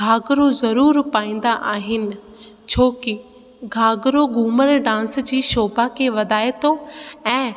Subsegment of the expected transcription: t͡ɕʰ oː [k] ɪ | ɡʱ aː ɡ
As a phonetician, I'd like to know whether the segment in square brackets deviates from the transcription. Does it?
no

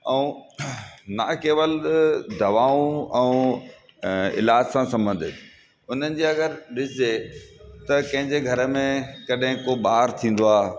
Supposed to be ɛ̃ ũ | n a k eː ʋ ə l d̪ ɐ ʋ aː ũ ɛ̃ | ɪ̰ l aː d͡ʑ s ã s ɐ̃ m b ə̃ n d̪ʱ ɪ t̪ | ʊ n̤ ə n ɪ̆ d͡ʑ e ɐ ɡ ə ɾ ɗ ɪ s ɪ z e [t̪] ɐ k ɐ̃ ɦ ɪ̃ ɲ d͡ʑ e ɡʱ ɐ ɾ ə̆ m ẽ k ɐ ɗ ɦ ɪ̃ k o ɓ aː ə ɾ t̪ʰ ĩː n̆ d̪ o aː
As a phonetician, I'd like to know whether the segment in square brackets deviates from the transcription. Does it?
no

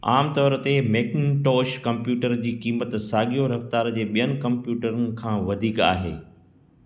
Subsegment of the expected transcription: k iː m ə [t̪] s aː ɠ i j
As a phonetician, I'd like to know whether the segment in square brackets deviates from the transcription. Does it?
no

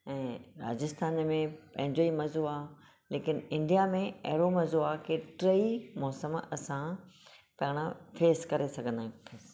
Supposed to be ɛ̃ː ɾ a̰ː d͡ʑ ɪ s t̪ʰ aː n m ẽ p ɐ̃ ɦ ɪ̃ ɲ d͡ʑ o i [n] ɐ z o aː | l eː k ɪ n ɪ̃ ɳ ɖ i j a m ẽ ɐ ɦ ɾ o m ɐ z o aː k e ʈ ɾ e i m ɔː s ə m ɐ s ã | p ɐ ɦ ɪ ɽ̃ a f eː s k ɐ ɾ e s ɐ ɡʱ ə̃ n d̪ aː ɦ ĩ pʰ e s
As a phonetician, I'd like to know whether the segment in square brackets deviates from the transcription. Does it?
yes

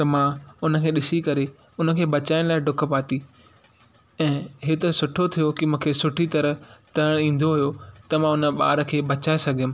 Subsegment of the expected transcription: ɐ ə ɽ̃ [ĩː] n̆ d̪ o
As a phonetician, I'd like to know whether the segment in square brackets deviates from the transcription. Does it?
no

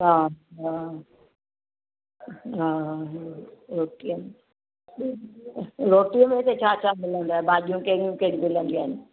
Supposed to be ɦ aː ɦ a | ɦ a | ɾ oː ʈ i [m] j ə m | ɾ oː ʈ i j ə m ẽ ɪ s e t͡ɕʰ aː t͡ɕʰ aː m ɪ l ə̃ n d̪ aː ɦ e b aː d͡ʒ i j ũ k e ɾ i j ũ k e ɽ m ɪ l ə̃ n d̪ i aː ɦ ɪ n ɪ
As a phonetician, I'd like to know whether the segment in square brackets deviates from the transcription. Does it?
yes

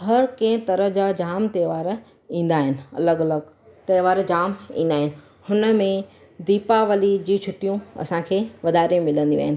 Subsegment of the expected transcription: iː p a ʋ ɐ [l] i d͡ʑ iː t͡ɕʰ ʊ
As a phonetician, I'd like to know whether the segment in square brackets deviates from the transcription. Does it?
no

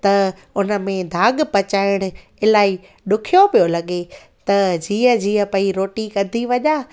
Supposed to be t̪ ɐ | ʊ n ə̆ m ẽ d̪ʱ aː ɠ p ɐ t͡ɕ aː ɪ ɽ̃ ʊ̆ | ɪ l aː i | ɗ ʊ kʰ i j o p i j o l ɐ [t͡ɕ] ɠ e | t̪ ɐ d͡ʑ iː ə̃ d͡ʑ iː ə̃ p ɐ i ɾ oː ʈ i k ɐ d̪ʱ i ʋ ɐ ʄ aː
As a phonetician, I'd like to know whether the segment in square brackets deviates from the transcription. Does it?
yes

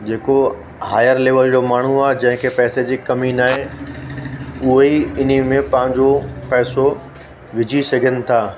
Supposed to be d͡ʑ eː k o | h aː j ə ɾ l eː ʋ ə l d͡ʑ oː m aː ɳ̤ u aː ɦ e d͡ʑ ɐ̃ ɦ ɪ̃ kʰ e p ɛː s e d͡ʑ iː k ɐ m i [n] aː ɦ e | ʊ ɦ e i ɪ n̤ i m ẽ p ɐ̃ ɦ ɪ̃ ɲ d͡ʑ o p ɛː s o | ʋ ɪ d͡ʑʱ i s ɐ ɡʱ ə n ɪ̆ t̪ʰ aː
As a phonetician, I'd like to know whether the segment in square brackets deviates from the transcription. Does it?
no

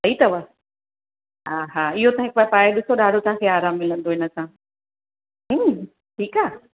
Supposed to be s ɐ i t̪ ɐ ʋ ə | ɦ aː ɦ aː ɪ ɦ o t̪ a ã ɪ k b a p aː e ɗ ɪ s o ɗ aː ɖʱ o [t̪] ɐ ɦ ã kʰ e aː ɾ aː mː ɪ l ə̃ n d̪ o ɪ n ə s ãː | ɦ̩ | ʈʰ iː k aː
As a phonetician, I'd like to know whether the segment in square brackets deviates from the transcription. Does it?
no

